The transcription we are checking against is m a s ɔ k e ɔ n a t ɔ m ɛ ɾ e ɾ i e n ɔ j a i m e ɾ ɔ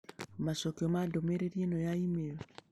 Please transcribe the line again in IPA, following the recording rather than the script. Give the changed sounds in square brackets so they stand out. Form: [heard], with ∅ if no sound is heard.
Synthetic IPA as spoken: m a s ɔ k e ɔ [m] a [d] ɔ m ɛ ɾ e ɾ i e n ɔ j a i m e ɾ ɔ

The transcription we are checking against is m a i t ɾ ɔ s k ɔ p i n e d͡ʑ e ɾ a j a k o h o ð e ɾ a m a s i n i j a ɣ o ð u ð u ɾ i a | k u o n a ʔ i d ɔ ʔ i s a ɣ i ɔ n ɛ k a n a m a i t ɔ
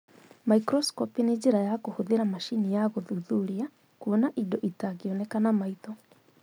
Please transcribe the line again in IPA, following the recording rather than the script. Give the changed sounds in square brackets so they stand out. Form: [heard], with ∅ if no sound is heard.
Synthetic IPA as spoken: m a i [k] ɾ ɔ s k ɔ p i n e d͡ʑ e ɾ a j a k o h o ð e ɾ a m a [ʃ] i n i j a ɣ o ð u ð u ɾ i a | k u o n a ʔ i d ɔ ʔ i [t] a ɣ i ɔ n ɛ k a n a m a i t ɔ

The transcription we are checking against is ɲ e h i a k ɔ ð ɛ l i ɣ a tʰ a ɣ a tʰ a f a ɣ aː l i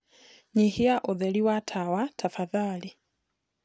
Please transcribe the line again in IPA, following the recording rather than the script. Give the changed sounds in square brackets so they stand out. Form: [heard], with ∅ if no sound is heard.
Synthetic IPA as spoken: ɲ [i] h i a [ʔ] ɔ ð ɛ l i [w] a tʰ a [w] a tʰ a f a [ð] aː l i

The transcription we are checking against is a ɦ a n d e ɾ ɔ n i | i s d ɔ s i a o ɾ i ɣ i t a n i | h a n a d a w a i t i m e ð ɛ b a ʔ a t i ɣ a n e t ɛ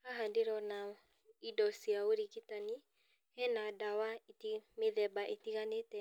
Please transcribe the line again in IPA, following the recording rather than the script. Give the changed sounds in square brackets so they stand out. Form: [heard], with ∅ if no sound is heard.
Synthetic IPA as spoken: a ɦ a n d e ɾ ɔ n [a] | i [∅] d ɔ s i a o ɾ i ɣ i t a n i | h [ɛ] n a d a w a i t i m e ð ɛ b a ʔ [e] t i ɣ a n e t ɛ

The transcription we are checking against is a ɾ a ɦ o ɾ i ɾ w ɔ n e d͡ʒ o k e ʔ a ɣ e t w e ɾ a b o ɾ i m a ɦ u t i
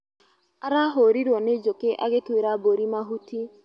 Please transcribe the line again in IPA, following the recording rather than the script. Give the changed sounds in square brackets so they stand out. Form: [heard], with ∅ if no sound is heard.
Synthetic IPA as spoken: a ɾ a ɦ o ɾ i ɾ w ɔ n e d͡ʒ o k e ʔ a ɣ e t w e ɾ a b o ɾ i m a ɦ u t i

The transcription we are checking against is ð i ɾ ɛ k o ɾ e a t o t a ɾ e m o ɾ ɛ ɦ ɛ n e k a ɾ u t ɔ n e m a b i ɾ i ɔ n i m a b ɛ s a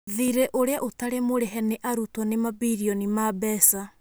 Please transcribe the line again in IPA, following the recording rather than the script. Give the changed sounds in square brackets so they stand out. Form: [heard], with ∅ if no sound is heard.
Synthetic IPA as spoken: ð i ɾ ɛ [ʔ] o ɾ e a [ʔ] o t a ɾ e m o ɾ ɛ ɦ ɛ n e [ʔ] a ɾ u t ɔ n e m a b i ɾ i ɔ n i m a b ɛ s a

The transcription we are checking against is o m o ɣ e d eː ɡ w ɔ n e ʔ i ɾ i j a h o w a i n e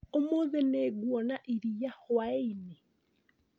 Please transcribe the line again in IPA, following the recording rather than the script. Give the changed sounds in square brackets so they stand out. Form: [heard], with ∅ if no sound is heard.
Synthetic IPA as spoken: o m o [ð] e [n] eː ɡ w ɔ n [a] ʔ i ɾ i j a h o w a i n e

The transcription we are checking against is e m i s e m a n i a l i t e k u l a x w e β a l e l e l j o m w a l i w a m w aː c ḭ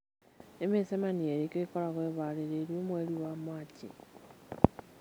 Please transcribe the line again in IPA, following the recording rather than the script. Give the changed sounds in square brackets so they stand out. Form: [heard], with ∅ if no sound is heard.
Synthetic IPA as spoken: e m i s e m a n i [e] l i [k] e k [o] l a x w e β a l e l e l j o m w [e] l i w a m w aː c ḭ

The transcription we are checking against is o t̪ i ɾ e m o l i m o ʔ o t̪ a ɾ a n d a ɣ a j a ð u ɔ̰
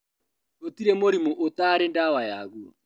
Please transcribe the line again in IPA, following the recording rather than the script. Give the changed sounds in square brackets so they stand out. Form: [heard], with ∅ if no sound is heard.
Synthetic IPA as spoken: o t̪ i ɾ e m o [ɾ] i m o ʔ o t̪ a ɾ [e] n d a [w] a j a [ɣ] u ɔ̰

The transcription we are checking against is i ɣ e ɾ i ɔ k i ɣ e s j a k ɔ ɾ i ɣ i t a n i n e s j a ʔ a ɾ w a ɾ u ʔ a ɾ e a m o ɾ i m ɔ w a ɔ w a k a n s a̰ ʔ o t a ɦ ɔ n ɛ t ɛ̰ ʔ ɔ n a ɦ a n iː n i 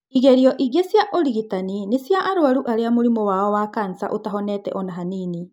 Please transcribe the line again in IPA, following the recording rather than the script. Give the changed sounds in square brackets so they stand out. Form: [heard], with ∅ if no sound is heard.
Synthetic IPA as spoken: i ɣ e ɾ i ɔ [ʔ] i ɣ e s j a [ʔ] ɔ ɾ i ɣ i t a n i n e s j a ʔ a ɾ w a ɾ u ʔ a ɾ e a m o ɾ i m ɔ w a ɔ w a k a n s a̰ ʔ o t a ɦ ɔ n ɛ t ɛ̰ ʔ ɔ n a ɦ a n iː n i

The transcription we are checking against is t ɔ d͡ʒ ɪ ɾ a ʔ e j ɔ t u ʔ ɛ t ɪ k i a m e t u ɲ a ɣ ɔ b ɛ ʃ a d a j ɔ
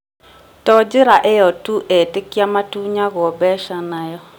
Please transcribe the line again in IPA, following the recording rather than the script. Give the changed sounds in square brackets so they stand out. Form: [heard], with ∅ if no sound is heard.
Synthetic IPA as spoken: t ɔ d͡ʒ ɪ ɾ a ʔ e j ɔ t u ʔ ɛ t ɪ k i a m [a] t u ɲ a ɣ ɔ b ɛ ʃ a [n] a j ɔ

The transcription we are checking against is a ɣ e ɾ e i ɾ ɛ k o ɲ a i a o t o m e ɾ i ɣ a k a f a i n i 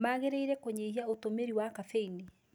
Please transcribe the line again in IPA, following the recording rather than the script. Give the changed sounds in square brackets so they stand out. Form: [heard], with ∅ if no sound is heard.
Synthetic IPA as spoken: a ɣ e ɾ e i ɾ ɛ k o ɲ [e] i a o t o m e ɾ i [w] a k a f [e] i n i

